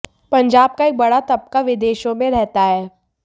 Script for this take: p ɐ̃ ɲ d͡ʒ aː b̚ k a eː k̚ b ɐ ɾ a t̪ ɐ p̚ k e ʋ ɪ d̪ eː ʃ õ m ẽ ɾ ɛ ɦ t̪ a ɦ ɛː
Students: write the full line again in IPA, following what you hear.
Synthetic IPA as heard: p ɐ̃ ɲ d͡ʒ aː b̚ k a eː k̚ b ɐ ɽ a t̪ ɐ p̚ k a ʋ ɪ d̪ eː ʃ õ m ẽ ɾ ɛ ɦ t̪ a ɦ ɛː